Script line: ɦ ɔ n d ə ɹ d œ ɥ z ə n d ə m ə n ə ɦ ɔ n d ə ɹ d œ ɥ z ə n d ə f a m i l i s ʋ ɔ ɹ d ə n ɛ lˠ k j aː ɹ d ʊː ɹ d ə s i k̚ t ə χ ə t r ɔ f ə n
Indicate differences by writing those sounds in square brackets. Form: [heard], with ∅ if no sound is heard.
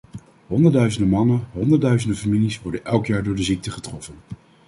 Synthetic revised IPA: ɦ ɔ n d ə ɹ d œ ɥ z ə n d ə m [ɑ] n ə ɦ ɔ n d ə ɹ d œ ɥ z ə n d ə f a m i l i s ʋ ɔ ɹ d ə n ɛ lˠ k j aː ɹ d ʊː ɹ d ə [z] i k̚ t ə χ ə t r ɔ f ə n

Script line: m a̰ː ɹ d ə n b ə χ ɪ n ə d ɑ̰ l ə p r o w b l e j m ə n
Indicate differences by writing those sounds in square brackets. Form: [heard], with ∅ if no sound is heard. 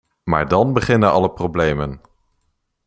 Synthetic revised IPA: m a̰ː ɹ d [ɑ] n b ə χ ɪ n ə [n] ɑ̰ l ə p r o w b l e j m ə n

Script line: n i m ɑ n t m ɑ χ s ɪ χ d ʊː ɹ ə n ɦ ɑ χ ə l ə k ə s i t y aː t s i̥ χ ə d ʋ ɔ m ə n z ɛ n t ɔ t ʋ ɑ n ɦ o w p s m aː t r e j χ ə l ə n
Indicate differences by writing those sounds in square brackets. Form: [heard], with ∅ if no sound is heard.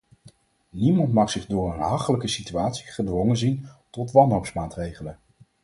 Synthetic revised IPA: n i m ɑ n t m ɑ χ s ɪ χ d ʊː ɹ ə n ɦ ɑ χ ə l ə k ə s i t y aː t s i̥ χ ə d ʋ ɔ [ŋ] ə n z [i] n t ɔ t ʋ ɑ n ɦ o w p s m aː t r e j χ ə l ə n

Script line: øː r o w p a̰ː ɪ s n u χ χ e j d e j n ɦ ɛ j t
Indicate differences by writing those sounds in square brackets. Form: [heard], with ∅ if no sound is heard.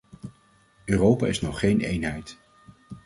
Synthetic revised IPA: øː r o w p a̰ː ɪ s n [ɔ] χ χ e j [n] e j n ɦ ɛ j t

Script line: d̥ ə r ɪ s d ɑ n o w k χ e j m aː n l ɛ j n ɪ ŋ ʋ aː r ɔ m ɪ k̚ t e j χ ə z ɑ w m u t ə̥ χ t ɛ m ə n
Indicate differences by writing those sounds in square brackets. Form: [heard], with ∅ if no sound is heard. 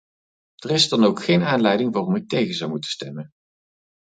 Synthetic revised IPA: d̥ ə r ɪ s d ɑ n o w k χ e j [n] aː n l ɛ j [d] ɪ ŋ ʋ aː r ɔ m ɪ k̚ t e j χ ə z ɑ w m u t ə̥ [s] t ɛ m ə n

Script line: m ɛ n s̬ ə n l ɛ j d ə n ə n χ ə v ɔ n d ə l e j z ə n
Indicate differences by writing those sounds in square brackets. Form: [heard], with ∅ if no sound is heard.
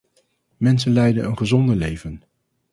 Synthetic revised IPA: m ɛ n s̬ ə n l ɛ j d ə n ə n χ ə [z] ɔ n d ə l e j [v] ə n

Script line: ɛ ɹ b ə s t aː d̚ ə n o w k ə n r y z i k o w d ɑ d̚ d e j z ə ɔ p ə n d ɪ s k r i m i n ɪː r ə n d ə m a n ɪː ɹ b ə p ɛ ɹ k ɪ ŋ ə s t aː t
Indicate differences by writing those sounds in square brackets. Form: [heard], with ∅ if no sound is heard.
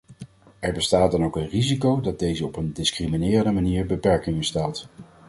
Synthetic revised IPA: ɛ ɹ b ə s t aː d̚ [ɑ] n o w k ə n r [i] z i k o w d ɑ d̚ d e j z ə ɔ p ə n d ɪ s k r i m i n ɪː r ə n d ə m a n [iː] ɹ b ə p ɛ ɹ k ɪ ŋ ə s t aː t

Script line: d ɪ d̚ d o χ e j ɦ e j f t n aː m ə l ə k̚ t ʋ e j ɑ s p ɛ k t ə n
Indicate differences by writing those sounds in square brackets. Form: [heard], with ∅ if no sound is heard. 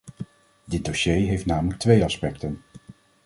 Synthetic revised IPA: d ɪ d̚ d o [ʃ] e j ɦ e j f t n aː m ə l ə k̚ t ʋ e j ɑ s p ɛ k t ə n

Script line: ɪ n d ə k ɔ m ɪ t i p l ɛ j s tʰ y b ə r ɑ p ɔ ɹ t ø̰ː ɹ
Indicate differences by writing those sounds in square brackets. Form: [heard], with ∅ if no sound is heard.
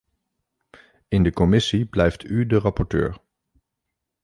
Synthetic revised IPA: ɪ n d ə k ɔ m ɪ [s] i [b] l ɛ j [f] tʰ y [d] ə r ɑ p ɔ ɹ t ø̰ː ɹ

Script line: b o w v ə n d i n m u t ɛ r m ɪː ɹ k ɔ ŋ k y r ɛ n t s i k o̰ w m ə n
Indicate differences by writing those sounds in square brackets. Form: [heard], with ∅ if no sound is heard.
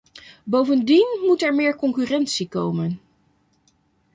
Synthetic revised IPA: b o w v ə n d i n m u t ɛ [ɹ] m ɪː ɹ k ɔ ŋ k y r ɛ n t s i k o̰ w m ə n

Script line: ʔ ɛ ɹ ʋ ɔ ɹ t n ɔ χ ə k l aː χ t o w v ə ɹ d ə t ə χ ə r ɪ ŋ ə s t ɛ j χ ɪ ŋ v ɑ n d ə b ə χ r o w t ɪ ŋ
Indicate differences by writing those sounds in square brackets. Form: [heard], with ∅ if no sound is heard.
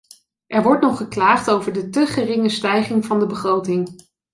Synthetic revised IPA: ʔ ɛ ɹ ʋ ɔ ɹ t n ɔ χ ə k l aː χ t o w v ə ɹ d ə t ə χ ə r ɪ ŋ ə s t ɛ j χ ɪ ŋ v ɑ n d ə b ə χ r o w t ɪ ŋ

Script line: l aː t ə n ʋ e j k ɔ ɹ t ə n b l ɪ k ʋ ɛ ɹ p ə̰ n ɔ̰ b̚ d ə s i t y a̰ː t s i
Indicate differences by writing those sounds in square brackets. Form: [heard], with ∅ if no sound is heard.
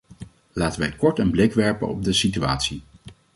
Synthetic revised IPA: l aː t ə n ʋ [ɛ] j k ɔ ɹ t ə n b l ɪ k ʋ ɛ ɹ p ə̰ n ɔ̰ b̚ d ə s i t y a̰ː t s i

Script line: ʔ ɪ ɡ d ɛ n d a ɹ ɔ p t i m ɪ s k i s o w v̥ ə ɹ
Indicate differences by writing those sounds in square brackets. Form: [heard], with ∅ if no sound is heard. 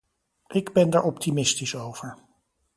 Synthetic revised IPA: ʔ ɪ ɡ [b] ɛ n d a ɹ ɔ p t i m ɪ s [t] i s o w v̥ ə ɹ

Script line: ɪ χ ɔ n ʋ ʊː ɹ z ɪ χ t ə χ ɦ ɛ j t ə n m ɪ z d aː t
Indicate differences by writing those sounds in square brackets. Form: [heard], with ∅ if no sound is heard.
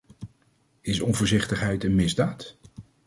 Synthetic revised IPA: ɪ [s] ɔ n [v] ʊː ɹ z ɪ χ t ə χ ɦ ɛ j t ə n m ɪ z d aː t

